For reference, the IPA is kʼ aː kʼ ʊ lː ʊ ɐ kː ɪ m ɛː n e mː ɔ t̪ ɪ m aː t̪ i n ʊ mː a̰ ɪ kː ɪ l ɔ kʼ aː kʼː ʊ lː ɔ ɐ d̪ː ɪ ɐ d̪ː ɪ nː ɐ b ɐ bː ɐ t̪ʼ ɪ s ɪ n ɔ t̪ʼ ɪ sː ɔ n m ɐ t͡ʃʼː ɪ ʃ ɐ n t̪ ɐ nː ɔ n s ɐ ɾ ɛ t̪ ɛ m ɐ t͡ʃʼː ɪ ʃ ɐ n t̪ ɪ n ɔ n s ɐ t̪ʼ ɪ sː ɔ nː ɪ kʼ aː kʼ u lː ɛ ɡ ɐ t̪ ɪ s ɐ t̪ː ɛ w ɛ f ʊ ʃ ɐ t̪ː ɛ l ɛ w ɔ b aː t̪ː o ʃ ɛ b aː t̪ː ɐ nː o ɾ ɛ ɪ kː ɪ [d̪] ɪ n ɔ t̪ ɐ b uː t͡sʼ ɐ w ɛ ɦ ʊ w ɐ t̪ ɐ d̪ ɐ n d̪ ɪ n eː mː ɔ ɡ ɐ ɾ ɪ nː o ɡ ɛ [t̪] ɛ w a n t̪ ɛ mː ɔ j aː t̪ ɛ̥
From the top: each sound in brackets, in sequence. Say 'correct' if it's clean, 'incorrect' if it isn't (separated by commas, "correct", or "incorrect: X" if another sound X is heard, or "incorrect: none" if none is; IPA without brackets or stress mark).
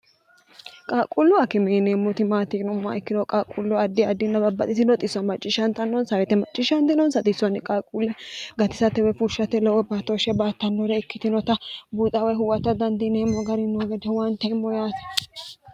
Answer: incorrect: t̪, incorrect: d̪